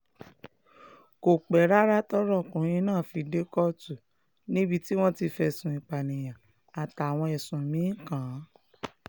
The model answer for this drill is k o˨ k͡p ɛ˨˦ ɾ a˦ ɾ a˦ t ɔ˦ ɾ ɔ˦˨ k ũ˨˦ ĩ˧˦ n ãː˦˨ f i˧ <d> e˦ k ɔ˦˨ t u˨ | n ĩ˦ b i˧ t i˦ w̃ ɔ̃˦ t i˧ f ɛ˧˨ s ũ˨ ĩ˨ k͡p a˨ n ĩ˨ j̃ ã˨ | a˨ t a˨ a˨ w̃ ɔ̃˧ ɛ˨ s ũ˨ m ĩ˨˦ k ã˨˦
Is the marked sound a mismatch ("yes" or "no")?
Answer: no